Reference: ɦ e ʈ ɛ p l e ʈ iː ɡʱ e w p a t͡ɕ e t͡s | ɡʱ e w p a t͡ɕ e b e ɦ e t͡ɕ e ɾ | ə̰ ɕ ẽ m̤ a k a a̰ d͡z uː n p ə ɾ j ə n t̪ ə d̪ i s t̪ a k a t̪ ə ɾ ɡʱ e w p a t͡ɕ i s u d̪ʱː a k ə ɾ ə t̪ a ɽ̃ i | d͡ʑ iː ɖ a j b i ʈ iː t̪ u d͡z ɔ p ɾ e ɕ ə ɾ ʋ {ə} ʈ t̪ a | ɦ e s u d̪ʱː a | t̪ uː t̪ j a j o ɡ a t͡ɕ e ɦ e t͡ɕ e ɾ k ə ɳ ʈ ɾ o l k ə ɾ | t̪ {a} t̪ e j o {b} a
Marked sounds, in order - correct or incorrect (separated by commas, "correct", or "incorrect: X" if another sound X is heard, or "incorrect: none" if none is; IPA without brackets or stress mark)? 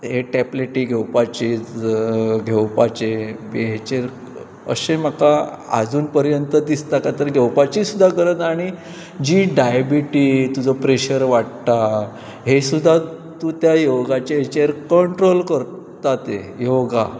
incorrect: a, correct, incorrect: ɡ